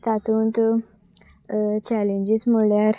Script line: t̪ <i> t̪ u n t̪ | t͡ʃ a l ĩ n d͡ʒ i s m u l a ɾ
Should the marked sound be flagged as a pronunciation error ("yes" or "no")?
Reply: yes